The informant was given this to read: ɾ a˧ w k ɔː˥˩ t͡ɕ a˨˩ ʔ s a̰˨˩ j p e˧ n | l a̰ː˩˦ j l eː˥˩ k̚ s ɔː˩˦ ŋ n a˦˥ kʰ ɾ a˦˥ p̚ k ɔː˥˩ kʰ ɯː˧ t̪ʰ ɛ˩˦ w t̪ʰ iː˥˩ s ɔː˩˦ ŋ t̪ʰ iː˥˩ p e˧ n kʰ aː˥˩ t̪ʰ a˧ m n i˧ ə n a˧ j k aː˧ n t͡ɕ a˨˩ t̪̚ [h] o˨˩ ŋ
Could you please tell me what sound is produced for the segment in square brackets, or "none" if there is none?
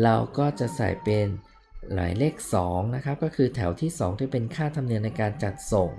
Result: s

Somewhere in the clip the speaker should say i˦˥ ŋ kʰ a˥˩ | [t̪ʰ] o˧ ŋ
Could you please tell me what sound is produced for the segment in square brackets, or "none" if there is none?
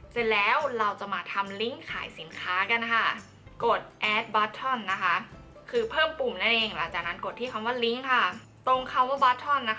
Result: t̪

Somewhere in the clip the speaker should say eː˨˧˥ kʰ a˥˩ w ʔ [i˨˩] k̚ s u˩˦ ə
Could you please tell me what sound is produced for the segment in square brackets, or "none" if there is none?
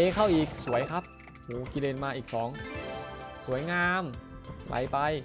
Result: iː˨˩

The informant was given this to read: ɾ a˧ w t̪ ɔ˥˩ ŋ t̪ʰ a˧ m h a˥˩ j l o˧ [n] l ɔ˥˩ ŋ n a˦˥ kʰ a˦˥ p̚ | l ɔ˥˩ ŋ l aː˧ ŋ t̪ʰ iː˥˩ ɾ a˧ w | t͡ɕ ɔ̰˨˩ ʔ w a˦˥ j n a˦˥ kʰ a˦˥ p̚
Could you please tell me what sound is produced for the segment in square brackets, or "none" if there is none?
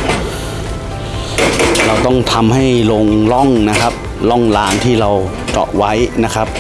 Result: ŋ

